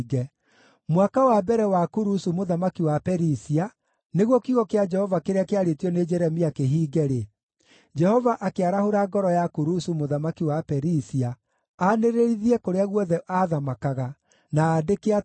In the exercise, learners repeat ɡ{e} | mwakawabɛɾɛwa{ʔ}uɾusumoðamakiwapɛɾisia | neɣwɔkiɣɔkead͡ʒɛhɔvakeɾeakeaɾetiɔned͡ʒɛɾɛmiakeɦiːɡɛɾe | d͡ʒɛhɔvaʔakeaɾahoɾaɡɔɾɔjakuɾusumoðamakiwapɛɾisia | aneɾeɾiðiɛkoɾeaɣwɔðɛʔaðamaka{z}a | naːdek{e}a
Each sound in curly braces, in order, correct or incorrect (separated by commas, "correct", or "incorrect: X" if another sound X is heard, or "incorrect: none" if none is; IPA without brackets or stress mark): incorrect: ɛ, incorrect: k, incorrect: ɣ, correct